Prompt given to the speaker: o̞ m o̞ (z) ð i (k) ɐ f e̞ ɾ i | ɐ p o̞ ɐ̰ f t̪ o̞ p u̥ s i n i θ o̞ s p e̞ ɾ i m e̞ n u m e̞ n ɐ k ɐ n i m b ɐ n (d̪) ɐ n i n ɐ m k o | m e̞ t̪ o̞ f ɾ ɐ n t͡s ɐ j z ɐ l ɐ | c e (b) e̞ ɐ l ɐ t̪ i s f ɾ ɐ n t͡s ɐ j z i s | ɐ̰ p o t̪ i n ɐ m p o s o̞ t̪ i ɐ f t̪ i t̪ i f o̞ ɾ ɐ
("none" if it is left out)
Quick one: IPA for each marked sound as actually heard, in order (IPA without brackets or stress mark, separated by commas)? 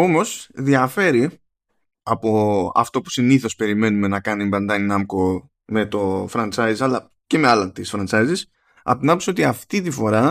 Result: s, none, d̪, m